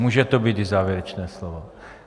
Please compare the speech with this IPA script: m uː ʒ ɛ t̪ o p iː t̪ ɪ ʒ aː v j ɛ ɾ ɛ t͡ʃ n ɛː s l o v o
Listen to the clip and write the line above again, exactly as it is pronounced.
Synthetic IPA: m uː ʒ ɛ t̪ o b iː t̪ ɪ z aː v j ɛ ɾ ɛ t͡ʃ n ɛː s l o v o